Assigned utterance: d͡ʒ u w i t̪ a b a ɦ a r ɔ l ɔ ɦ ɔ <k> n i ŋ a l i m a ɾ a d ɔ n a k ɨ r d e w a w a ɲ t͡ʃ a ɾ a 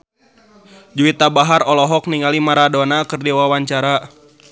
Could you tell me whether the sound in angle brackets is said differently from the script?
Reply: no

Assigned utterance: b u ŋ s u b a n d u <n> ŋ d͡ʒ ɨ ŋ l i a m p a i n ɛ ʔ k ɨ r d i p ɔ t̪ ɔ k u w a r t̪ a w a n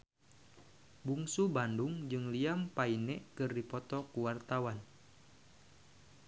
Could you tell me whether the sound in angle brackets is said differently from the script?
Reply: yes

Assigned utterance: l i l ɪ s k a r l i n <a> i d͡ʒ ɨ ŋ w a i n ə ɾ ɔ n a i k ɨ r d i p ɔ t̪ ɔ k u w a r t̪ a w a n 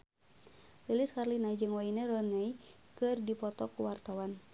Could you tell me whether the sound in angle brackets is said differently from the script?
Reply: no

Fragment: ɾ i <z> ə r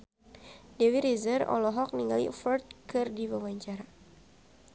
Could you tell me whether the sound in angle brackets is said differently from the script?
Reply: no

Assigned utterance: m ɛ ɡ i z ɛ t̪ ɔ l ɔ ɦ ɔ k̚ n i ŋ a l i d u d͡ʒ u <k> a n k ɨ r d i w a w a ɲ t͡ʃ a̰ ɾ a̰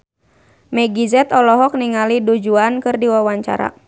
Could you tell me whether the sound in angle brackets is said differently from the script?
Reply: yes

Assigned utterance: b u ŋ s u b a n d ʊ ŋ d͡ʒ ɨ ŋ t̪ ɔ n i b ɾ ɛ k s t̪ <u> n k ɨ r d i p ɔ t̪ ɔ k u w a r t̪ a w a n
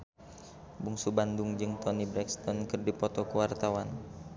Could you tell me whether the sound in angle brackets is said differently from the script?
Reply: yes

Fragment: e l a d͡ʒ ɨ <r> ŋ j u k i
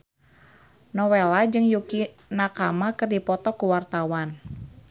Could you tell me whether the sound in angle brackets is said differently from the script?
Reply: yes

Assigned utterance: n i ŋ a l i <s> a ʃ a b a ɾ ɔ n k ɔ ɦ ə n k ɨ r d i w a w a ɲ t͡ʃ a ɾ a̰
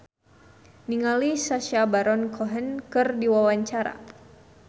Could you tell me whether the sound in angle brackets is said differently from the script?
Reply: no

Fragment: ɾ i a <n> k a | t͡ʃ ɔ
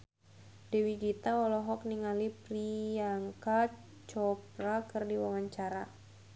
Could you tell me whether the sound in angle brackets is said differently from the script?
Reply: yes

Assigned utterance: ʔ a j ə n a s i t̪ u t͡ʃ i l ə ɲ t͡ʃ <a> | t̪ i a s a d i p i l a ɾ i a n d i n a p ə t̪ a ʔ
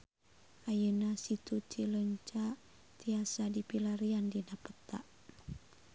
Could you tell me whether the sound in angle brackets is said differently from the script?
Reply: no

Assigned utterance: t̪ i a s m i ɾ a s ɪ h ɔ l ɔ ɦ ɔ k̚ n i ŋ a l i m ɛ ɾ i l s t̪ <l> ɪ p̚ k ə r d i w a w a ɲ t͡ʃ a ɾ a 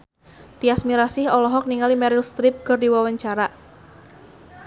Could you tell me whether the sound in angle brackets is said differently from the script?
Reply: yes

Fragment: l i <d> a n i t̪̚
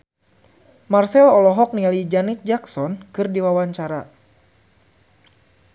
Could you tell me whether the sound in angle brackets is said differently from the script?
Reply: yes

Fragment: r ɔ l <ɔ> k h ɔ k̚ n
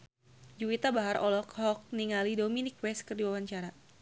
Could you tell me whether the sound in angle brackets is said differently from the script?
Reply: no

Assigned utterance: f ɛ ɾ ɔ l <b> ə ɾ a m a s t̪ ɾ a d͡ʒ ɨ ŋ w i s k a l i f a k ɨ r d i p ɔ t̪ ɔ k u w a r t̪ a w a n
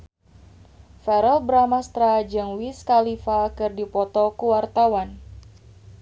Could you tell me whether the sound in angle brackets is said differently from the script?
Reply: no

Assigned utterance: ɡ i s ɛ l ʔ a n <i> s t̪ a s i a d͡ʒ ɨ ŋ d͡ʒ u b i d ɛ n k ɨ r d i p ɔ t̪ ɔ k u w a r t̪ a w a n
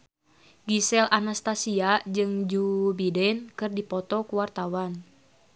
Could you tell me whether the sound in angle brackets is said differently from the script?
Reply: yes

